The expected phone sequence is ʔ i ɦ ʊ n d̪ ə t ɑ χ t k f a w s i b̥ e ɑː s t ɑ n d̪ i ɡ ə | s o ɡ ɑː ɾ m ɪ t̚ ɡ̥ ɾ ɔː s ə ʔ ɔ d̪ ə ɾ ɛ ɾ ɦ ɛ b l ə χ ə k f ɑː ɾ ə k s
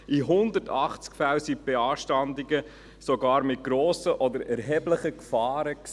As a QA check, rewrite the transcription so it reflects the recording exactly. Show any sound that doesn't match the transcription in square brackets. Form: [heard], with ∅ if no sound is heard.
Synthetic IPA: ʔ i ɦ ʊ n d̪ ə t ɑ χ [t͡s] k f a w s i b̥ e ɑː [ʃ] t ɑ n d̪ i ɡ ə | s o ɡ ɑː ɾ m ɪ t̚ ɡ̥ ɾ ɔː s ə ʔ ɔ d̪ ə ɾ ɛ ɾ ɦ ɛ b l ə χ ə k f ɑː ɾ ə k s